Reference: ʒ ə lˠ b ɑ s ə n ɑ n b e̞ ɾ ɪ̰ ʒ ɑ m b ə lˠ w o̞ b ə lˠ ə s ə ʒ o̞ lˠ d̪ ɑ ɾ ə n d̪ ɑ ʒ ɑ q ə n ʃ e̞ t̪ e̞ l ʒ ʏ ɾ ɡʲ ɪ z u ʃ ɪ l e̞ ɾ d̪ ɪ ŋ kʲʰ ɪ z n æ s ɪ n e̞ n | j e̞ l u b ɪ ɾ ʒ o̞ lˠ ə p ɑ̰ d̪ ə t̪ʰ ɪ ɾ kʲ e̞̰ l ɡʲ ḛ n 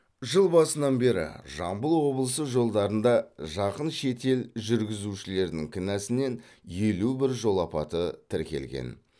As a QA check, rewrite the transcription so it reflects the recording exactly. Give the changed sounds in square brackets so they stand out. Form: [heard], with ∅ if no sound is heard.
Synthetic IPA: ʒ ə lˠ b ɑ s ə n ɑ n b e̞ ɾ ɪ̰ ʒ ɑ m b ə lˠ w o̞ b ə lˠ ə s ə ʒ o̞ lˠ d̪ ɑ ɾ ə n d̪ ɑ ʒ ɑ q ə n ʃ e̞ t̪ e̞ l ʒ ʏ ɾ ɡʲ ɪ z u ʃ ɪ l e̞ ɾ d̪ ɪ ŋ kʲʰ ɪ [∅] n æ s ɪ n e̞ n | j e̞ l u b ɪ ɾ ʒ o̞ lˠ [ɑ] p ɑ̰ [t̪] ə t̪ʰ ɪ ɾ kʲ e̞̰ l ɡʲ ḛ n